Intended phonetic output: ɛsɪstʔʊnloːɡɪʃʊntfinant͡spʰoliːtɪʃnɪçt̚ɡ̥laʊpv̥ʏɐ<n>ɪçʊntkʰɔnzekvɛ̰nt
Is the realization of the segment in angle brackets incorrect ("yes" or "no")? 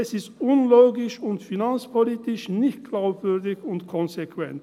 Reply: yes